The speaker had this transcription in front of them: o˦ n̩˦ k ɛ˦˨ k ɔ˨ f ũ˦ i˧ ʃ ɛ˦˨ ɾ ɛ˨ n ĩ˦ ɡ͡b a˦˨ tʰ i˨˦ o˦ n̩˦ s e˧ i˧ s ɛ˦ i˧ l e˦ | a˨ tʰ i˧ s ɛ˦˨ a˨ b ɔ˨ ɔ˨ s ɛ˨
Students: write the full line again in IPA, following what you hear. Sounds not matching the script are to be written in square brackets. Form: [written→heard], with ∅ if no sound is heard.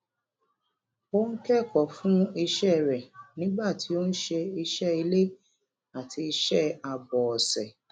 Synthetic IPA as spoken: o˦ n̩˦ k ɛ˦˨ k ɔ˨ f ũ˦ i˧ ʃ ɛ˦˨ ɾ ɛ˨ n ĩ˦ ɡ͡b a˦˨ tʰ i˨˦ o˦ n̩˦ [s→ʃ] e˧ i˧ [s→ʃ] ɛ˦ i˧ l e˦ | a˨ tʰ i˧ [s→ʃ] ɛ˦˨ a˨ b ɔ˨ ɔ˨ s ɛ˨